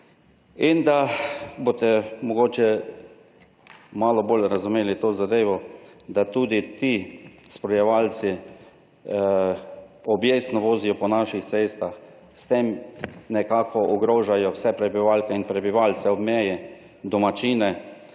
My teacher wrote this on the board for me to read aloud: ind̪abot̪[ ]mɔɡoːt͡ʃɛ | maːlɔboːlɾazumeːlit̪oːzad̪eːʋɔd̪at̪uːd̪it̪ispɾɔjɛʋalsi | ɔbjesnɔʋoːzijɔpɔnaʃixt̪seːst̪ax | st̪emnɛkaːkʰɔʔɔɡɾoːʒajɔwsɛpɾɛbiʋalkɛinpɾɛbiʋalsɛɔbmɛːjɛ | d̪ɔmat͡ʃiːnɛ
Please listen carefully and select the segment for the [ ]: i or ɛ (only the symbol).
ɛ